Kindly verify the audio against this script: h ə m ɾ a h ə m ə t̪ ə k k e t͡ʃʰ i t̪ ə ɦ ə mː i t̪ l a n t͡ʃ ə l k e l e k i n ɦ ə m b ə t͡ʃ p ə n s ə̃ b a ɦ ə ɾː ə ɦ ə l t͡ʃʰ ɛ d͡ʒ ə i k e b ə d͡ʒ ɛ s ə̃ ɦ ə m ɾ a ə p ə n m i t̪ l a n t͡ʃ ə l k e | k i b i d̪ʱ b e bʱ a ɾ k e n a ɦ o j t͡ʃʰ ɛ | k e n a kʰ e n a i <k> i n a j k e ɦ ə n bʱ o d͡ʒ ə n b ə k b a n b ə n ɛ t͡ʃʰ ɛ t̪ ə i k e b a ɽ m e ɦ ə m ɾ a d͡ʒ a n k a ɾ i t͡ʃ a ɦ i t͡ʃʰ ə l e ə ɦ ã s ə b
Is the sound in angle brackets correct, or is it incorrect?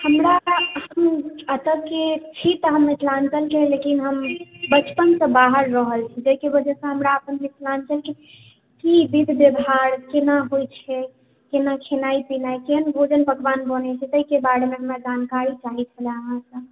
incorrect